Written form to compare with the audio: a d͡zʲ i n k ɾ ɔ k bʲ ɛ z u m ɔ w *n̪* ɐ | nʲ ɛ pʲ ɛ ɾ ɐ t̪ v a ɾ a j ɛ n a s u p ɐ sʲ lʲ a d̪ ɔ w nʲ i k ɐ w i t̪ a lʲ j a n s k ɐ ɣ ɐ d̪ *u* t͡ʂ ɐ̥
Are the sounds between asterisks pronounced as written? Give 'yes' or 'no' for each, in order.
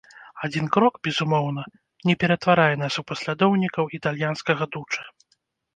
yes, yes

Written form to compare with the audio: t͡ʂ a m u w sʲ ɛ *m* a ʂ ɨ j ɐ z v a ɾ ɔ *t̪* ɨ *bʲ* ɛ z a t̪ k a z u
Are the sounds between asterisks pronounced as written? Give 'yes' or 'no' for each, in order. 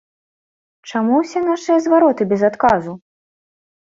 no, yes, yes

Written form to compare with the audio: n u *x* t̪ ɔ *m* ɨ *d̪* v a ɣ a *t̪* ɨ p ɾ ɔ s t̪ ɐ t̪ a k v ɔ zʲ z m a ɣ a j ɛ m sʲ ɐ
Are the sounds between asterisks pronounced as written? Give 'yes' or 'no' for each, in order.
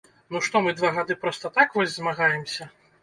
no, yes, yes, no

